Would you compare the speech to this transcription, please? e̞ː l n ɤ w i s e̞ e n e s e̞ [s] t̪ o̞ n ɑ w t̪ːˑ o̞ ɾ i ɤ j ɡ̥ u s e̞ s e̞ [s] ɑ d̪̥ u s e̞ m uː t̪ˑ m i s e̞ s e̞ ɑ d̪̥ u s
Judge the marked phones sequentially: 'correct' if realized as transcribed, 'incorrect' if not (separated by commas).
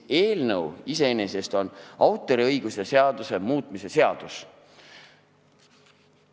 correct, incorrect